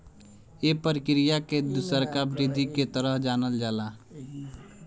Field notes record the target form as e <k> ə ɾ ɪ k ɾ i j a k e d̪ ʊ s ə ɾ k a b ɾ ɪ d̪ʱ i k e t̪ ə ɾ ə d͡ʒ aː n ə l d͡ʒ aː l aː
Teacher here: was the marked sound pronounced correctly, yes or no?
no